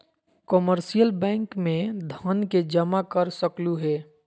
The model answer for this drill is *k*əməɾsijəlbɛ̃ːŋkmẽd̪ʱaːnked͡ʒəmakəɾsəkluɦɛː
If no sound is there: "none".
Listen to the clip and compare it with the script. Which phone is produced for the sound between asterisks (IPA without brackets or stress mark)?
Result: k